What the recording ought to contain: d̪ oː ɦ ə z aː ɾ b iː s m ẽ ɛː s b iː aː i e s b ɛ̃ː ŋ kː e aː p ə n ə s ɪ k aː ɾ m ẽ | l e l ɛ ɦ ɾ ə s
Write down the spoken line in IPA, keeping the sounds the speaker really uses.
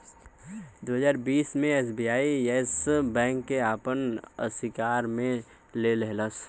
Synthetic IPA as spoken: d̪ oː ɦ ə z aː ɾ b iː s m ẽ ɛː s b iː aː i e s b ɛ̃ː ŋ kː e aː p ə n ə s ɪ k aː ɾ m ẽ | l e l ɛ ɦ l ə s